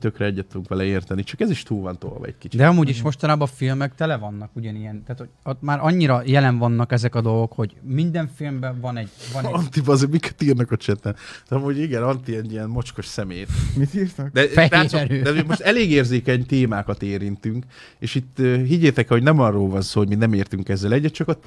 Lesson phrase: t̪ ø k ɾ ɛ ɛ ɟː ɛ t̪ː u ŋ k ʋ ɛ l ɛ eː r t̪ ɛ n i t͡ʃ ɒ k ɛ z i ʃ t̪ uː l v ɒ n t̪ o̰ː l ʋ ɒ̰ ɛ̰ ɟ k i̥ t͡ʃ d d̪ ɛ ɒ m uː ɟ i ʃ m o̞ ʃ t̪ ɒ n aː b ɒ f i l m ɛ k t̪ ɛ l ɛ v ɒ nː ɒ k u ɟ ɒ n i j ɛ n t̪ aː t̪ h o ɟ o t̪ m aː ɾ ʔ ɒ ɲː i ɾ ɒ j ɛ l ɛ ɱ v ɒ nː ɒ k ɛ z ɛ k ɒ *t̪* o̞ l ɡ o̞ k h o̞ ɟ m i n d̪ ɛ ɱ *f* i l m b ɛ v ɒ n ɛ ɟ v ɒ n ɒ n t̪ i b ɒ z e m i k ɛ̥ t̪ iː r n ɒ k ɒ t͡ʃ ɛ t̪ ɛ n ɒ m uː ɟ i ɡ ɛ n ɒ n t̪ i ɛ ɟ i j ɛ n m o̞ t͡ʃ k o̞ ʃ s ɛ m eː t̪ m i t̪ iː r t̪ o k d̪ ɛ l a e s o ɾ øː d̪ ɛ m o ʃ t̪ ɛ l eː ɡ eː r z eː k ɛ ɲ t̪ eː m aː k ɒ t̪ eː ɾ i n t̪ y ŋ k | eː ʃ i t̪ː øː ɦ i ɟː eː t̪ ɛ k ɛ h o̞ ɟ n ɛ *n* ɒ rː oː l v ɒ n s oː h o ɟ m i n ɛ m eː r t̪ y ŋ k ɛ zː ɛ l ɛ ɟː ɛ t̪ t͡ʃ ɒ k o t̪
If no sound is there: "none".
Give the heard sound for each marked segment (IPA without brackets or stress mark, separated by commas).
d̪, f, m